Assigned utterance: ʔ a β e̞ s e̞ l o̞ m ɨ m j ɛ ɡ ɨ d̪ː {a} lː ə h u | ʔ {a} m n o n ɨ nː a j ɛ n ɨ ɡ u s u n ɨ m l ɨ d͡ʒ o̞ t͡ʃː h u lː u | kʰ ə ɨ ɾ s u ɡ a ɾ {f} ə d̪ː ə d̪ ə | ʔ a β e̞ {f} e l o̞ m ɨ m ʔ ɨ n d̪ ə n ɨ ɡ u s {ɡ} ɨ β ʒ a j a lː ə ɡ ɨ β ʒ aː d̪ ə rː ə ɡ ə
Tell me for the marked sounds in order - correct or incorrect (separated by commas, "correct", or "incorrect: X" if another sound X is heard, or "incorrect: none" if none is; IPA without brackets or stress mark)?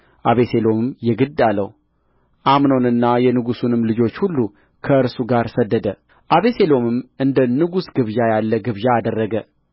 correct, correct, incorrect: s, incorrect: s, correct